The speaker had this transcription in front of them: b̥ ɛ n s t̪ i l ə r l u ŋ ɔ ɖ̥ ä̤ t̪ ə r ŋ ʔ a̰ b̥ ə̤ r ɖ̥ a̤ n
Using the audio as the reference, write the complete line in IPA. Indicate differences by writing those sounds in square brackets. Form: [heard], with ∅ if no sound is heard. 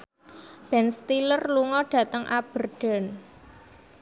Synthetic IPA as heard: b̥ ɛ n s t̪ i l ə r l u ŋ ɔ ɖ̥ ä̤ t̪ ə [∅] ŋ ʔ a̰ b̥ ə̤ r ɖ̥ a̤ n